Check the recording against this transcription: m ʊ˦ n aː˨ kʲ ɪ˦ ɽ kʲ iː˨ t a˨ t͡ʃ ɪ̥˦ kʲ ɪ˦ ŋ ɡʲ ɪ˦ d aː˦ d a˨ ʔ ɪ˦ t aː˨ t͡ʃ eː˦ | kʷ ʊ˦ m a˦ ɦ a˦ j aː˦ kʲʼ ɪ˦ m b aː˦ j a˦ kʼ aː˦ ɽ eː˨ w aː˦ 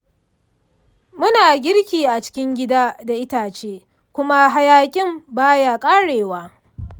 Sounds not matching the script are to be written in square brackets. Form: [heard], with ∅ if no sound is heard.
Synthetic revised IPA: m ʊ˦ n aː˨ [ɡʲ] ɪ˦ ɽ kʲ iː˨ [ʔ] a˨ t͡ʃ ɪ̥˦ kʲ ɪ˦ ŋ ɡʲ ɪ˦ d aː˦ d a˨ ʔ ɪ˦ t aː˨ t͡ʃ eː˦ | kʷ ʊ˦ m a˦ ɦ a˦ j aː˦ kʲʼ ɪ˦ m b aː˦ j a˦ kʼ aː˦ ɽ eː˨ w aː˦

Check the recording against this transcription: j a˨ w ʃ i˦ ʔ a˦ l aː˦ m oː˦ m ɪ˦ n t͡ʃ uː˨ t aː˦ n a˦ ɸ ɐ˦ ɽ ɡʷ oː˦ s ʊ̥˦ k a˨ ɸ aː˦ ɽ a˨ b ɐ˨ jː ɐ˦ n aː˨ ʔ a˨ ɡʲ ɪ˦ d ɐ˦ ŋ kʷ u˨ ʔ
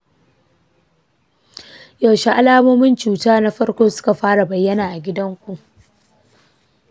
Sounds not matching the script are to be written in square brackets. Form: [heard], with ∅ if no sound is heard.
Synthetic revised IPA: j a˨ w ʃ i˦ ʔ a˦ l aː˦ m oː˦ m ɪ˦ n t͡ʃ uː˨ t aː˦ n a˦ ɸ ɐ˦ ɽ [kʷ] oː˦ s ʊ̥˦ k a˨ ɸ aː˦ ɽ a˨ b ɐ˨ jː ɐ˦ n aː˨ ʔ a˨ ɡʲ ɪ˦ d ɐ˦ ŋ kʷ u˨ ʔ

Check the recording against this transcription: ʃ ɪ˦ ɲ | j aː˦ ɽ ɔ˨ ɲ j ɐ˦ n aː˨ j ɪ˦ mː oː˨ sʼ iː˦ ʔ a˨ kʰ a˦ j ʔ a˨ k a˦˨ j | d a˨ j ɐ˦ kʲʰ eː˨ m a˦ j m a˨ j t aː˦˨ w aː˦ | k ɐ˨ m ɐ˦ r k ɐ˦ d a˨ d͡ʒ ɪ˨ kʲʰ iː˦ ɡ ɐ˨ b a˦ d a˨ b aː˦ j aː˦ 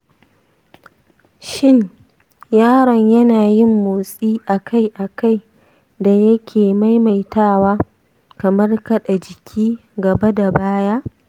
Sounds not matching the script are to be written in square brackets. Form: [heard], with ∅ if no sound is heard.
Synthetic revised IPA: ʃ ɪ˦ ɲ | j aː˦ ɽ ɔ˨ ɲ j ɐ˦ n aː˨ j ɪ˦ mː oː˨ sʼ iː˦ ʔ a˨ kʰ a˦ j ʔ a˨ k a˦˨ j | d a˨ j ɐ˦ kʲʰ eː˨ m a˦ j m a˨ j t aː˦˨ w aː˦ | k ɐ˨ m ɐ˦ r k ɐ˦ [ɗ] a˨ d͡ʒ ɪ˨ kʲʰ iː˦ ɡ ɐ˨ b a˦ d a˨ b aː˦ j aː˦

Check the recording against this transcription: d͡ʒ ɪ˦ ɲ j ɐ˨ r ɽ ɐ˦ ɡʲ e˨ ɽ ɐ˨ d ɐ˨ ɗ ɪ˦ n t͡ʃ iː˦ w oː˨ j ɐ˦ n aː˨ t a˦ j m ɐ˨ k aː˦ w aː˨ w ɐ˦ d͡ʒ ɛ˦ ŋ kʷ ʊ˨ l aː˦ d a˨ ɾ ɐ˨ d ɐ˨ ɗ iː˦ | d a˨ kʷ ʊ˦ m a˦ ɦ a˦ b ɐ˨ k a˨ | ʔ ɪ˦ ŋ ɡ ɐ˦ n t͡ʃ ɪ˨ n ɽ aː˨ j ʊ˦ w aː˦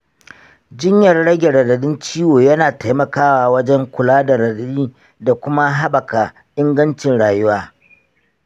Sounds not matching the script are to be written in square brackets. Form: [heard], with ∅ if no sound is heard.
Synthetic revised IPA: d͡ʒ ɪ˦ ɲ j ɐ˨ r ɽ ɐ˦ ɡʲ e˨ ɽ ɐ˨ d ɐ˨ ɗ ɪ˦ n t͡ʃ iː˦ w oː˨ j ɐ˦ n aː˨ t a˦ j m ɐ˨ k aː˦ w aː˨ w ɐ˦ d͡ʒ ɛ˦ ŋ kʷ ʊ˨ l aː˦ d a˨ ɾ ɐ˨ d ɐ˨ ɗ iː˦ | d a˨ kʷ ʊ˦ m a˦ ɦ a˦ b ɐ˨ k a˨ | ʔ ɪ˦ ŋ ɡ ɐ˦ n t͡ʃ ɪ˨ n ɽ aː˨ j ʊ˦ w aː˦

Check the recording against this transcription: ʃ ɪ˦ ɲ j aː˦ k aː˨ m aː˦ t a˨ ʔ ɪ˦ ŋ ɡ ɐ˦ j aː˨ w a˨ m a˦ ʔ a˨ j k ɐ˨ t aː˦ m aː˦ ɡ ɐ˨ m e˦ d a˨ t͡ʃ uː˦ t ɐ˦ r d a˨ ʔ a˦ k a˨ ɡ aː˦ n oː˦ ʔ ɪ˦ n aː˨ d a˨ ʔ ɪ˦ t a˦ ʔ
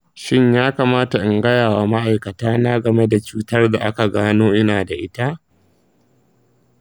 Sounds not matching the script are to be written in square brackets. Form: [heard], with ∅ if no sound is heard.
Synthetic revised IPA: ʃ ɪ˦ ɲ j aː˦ k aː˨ m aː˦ t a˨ ʔ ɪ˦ ŋ ɡ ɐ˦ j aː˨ w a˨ m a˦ ʔ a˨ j k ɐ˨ t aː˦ [n] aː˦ ɡ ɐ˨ m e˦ d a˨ t͡ʃ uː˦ t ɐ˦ r d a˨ ʔ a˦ k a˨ ɡ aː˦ n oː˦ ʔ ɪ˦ n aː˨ d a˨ ʔ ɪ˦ t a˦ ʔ

